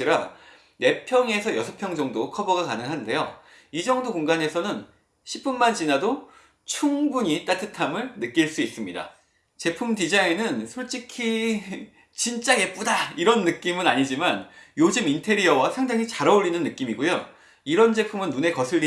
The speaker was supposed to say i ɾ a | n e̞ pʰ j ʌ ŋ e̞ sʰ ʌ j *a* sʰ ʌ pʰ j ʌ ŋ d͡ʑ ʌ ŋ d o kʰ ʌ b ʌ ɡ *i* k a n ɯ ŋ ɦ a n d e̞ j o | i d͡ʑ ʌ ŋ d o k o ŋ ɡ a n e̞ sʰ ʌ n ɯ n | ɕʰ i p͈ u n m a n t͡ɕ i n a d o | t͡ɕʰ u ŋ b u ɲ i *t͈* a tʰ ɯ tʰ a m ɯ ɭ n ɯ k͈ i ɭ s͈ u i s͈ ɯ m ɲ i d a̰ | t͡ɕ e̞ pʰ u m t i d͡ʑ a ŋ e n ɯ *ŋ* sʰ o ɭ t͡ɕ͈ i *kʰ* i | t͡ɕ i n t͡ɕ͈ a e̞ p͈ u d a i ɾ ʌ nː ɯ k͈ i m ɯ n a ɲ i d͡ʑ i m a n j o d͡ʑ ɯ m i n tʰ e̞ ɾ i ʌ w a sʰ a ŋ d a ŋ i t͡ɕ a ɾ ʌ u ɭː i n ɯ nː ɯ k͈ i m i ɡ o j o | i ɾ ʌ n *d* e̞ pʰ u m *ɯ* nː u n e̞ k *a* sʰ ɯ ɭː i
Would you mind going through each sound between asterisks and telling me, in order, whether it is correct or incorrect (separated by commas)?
incorrect, incorrect, correct, incorrect, correct, incorrect, correct, incorrect